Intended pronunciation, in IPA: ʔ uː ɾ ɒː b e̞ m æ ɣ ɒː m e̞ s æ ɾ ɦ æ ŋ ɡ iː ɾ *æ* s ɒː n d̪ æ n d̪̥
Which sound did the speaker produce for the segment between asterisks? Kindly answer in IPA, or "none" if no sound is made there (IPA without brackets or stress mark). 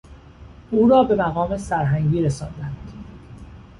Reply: e